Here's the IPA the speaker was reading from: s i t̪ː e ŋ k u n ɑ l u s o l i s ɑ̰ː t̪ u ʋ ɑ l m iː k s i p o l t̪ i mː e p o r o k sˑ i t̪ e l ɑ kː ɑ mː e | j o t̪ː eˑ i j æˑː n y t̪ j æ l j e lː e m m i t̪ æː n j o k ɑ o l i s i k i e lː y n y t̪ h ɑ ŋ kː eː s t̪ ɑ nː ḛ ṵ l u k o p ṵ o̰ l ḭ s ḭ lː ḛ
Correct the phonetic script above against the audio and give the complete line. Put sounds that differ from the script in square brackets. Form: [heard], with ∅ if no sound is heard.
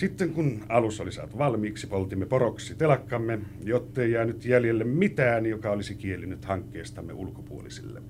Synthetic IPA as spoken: s i t̪ː e ŋ k u n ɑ l u s o l i s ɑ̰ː t̪ u ʋ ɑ l m iː k s i p o l t̪ i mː e p o r o k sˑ i t̪ e l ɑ kː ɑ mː e | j o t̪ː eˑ i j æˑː n y t̪ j æ l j e lː e m m i t̪ æː n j o k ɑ o l i s i k i e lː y n y t̪ h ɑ ŋ kː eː s t̪ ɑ [mː] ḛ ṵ l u k o p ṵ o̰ l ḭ s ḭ lː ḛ